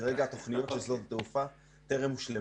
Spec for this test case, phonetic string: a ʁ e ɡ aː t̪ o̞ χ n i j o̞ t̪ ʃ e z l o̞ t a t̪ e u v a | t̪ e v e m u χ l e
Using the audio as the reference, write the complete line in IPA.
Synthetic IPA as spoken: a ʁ e ɡ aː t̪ o̞ χ n i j o̞ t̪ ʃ e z l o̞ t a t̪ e u f a | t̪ e ʁ e m u ʃ l e